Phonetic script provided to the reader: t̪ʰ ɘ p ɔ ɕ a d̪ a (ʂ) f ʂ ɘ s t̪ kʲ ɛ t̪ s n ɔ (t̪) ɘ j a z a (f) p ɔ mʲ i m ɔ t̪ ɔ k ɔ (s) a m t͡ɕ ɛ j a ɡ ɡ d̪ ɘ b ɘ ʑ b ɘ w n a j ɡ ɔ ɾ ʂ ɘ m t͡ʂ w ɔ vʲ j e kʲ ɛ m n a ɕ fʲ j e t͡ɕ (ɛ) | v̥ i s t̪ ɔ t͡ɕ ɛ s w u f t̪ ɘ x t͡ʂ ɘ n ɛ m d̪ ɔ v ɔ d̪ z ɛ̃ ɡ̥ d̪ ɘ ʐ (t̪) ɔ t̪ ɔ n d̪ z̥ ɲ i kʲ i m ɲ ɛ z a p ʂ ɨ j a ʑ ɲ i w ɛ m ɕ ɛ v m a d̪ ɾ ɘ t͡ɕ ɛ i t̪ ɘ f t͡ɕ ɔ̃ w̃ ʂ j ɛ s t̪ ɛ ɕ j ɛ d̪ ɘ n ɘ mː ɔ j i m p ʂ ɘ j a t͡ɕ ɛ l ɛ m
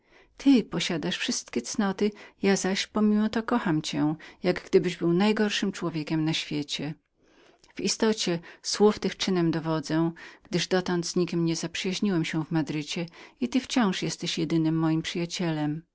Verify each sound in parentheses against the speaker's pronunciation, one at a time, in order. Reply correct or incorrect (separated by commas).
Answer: correct, correct, incorrect, incorrect, correct, incorrect